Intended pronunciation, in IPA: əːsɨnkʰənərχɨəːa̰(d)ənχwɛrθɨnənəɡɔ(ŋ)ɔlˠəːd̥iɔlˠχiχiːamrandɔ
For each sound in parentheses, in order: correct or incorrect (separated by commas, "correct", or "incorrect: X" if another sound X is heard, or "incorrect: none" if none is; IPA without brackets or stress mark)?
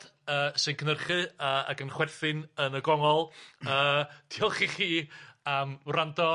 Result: incorrect: ɡ, correct